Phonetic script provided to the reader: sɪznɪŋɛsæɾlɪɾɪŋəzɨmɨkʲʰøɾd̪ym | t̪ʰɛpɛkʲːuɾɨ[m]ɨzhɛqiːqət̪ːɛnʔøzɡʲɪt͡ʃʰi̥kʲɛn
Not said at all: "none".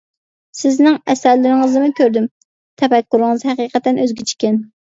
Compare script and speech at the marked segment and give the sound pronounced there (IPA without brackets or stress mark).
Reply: ŋ